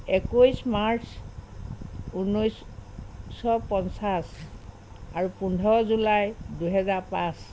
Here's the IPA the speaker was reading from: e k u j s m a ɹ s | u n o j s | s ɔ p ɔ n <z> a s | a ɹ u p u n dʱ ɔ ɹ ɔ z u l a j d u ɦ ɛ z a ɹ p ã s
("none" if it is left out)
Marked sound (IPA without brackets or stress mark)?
s